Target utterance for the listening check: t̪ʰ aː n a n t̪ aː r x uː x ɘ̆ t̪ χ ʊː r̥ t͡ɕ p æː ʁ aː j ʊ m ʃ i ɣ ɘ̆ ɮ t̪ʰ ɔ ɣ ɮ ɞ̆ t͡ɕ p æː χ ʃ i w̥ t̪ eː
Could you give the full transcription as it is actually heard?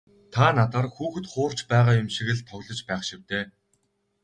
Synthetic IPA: t̪ʰ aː n a t̪ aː r x uː x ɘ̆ t̪ χ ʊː r̥ t͡ɕ p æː ʁ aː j ʊ m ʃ i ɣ ɘ̆ ɮ t̪ʰ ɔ ɣ ɮ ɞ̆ t͡ɕ p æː χ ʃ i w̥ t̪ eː